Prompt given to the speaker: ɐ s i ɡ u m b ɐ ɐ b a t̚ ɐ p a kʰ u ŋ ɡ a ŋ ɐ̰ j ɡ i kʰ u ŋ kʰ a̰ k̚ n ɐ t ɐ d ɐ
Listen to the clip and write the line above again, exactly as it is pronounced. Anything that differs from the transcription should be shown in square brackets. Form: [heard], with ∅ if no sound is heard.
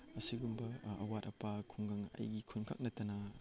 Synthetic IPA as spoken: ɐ s i ɡ u m b ɐ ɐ [w] a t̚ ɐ p a kʰ u ŋ ɡ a ŋ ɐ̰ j ɡ i kʰ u [n] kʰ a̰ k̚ n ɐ t ɐ [n] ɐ